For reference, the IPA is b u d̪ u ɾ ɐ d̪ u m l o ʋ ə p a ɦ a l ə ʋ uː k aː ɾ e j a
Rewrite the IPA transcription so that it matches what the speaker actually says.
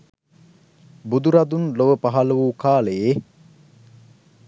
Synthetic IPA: b u d̪ u ɾ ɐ d̪ u n l o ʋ ə p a ɦ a l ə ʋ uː k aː l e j e